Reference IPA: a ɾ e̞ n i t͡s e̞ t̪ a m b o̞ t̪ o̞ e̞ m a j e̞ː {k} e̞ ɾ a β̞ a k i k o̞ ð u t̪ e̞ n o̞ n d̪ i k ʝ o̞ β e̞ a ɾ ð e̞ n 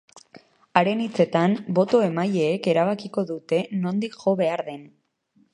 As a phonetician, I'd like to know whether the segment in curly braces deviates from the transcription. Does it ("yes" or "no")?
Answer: no